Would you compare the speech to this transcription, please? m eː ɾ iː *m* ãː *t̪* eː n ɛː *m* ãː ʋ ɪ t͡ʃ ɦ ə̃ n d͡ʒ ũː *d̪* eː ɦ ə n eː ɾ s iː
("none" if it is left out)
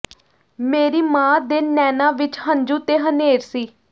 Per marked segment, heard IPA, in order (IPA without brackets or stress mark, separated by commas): m, d̪, n, t̪